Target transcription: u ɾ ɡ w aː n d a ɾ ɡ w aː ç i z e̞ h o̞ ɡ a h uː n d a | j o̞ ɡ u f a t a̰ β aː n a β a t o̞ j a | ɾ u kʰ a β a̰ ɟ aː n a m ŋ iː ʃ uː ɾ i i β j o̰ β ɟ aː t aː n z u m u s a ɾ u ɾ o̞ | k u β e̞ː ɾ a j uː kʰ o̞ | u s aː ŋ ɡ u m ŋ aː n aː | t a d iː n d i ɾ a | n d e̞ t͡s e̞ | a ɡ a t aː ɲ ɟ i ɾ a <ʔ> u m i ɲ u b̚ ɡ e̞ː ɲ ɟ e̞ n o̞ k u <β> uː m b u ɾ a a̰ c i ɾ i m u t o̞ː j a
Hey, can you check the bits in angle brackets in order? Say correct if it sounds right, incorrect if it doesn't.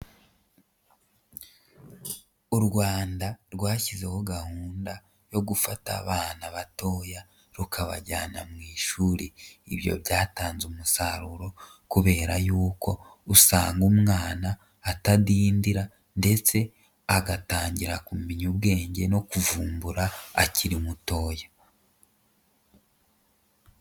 incorrect, incorrect

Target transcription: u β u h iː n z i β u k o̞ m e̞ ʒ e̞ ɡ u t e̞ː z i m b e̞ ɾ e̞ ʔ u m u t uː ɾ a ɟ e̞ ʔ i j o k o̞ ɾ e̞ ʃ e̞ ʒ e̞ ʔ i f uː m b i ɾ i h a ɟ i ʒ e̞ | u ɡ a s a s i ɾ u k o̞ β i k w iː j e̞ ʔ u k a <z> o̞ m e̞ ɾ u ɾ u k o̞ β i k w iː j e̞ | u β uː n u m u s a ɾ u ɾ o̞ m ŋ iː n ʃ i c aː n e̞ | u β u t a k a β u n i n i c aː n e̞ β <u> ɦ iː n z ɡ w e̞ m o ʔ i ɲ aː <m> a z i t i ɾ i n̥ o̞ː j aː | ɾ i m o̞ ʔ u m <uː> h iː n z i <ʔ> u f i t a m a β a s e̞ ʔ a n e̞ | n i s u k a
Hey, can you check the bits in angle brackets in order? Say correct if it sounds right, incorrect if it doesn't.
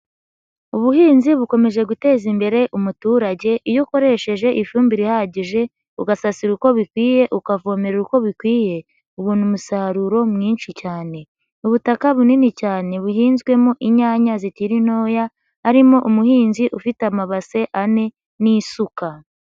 incorrect, correct, incorrect, incorrect, correct

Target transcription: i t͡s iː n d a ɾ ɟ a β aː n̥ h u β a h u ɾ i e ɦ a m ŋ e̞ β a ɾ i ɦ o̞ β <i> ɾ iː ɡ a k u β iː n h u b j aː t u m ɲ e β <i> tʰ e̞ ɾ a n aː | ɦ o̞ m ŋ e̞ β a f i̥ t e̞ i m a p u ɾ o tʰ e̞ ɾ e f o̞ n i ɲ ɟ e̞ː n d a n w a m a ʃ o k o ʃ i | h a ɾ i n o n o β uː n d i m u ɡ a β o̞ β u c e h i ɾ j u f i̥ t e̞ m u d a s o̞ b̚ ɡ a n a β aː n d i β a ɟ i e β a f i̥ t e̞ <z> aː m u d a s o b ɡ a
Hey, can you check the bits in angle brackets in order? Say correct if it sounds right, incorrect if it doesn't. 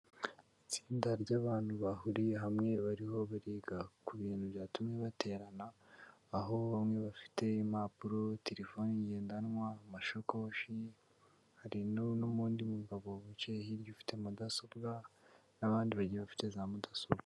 incorrect, incorrect, correct

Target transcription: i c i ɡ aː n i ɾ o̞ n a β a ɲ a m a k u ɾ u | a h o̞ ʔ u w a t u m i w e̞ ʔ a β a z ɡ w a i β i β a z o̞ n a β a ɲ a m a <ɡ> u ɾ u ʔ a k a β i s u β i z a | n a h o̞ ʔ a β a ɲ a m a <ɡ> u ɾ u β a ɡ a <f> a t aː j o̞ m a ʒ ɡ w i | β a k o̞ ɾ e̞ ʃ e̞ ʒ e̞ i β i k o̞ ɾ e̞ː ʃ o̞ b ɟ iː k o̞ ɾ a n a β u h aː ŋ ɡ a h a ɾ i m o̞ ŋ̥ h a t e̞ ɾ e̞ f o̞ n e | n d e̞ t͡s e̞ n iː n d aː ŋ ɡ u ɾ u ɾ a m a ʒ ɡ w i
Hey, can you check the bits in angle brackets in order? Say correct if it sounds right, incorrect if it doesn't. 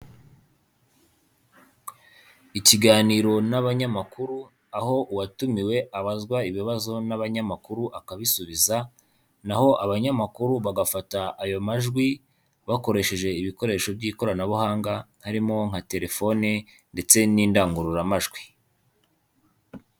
incorrect, incorrect, correct

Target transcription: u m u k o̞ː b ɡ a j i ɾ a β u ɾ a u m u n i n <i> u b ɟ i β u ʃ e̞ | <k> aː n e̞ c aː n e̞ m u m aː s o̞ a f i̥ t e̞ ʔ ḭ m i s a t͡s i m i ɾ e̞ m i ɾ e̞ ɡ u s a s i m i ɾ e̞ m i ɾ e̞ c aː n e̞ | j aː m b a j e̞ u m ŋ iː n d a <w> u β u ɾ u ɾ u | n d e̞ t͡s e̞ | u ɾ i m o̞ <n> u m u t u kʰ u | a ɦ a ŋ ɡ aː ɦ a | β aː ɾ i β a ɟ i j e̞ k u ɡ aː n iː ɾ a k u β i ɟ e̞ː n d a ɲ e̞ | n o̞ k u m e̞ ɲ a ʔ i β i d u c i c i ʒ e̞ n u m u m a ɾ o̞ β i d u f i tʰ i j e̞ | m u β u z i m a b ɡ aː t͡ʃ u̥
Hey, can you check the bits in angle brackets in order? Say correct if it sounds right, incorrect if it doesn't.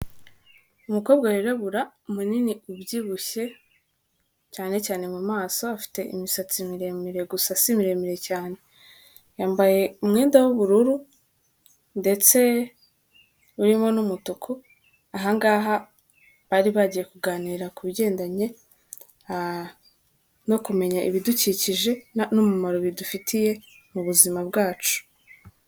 correct, incorrect, correct, correct

